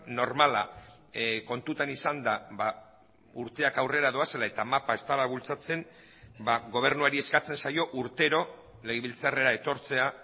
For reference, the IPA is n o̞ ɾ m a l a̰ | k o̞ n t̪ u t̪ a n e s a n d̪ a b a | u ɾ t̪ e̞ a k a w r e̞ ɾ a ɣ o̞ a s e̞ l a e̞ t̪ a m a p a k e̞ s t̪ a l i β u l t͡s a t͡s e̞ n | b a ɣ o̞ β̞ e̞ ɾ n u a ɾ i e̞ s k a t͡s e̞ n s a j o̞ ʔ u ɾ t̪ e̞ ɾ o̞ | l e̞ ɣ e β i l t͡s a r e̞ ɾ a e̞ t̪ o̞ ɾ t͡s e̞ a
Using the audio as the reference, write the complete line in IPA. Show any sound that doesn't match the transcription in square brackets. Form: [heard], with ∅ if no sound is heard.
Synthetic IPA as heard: n o̞ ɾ m a l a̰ | k o̞ n t̪ u t̪ a n [i] s a n d̪ a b a | u ɾ t̪ e̞ a k a w r e̞ ɾ a [ð] o̞ a s e̞ l a e̞ t̪ a m a p a [∅] e̞ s t̪ a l [a] β u l t͡s a t͡s e̞ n | b a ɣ o̞ β̞ e̞ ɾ n u a ɾ i e̞ s k a t͡s e̞ n s a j o̞ ʔ u ɾ t̪ e̞ ɾ o̞ | l e̞ ɣ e β i l t͡s a r e̞ ɾ a e̞ t̪ o̞ ɾ t͡s e̞ a